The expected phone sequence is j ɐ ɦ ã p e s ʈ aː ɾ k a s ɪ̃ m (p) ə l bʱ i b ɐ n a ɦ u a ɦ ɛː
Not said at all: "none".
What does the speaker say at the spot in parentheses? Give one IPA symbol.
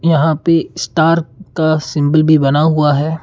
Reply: b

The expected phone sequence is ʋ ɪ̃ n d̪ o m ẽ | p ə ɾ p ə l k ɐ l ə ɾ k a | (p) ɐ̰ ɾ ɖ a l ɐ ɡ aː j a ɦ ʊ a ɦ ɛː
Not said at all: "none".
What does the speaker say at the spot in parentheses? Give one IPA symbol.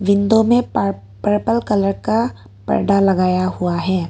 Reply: p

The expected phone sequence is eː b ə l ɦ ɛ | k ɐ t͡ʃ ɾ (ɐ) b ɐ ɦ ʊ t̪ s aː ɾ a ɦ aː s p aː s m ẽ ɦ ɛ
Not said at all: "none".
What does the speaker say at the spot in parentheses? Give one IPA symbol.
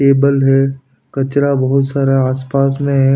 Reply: a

